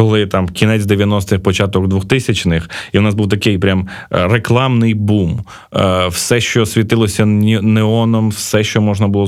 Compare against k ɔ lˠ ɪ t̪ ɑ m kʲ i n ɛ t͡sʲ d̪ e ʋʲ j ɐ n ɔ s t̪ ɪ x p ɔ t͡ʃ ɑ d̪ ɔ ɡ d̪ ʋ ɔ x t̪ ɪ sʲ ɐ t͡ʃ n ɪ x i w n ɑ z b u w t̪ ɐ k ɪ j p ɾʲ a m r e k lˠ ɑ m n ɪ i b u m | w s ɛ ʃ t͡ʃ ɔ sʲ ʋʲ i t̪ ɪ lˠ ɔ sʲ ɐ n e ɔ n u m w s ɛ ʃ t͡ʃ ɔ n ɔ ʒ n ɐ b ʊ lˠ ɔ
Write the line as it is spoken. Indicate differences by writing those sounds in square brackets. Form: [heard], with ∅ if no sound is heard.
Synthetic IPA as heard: k ɔ lˠ ɪ t̪ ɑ m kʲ i n ɛ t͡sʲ d̪ e ʋʲ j ɐ n ɔ s t̪ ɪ x p ɔ t͡ʃ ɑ [t̪] ɔ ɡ d̪ ʋ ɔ x t̪ ɪ sʲ ɐ t͡ʃ n ɪ x i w n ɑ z b u w t̪ ɐ k ɪ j p ɾʲ a m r e k lˠ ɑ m n ɪ [j] b u m | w s ɛ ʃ t͡ʃ ɔ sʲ ʋʲ i t̪ ɪ lˠ ɔ sʲ ɐ n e ɔ n [ɔ] m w s ɛ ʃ t͡ʃ ɔ [m] ɔ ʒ n ɐ b ʊ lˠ ɔ